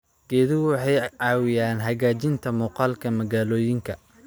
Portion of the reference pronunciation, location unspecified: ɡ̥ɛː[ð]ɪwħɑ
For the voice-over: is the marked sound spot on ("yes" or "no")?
yes